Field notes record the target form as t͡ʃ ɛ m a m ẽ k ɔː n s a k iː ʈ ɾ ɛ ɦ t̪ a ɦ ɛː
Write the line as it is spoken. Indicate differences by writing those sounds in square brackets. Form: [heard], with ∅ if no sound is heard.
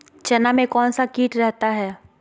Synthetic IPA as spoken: t͡ʃ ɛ [n] a m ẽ k ɔː n s a k iː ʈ ɾ ɛ ɦ t̪ a ɦ ɛː